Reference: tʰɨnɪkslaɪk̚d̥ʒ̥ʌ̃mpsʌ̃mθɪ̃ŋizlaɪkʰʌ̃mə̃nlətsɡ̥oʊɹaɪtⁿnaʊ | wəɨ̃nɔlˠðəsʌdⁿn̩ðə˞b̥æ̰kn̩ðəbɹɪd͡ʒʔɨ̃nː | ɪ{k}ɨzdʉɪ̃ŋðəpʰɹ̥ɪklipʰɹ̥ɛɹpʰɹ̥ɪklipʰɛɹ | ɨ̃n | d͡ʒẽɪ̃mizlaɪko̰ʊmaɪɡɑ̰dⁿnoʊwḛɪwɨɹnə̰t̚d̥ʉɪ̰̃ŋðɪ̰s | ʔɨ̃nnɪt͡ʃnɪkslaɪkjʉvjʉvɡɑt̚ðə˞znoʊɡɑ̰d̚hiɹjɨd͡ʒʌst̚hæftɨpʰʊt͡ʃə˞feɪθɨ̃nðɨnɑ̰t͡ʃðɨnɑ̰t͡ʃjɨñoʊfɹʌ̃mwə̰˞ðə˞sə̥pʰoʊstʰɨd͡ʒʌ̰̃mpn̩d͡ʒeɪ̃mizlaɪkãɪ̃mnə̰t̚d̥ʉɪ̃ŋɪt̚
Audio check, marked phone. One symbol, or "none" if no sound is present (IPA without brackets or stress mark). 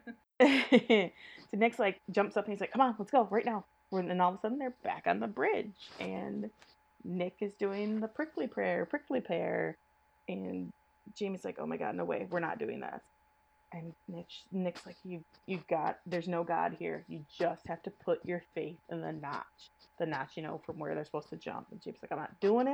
k